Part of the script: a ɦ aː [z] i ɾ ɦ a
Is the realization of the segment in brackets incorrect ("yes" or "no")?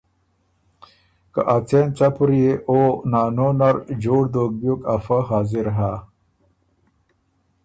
no